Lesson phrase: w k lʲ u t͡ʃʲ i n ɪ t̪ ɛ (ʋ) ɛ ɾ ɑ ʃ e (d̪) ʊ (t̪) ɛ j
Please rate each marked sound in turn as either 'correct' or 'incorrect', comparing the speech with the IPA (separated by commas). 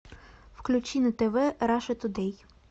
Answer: correct, incorrect, incorrect